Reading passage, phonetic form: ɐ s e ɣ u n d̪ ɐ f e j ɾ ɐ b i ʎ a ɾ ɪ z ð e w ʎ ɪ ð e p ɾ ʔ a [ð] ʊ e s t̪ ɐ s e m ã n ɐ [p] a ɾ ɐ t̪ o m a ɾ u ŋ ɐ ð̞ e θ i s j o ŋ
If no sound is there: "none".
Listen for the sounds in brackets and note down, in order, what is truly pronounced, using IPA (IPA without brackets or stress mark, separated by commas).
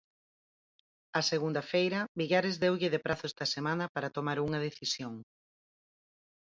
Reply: θ, p